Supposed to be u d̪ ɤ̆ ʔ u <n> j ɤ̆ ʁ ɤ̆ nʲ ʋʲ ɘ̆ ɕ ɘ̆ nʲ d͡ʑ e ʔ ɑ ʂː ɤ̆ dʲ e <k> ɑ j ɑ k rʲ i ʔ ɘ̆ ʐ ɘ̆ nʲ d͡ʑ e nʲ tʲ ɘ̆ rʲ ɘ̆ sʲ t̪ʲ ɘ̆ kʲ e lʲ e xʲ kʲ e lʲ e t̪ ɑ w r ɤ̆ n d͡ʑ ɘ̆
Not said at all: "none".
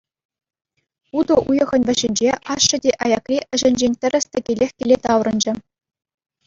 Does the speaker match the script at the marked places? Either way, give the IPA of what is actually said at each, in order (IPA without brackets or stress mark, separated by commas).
none, ʔ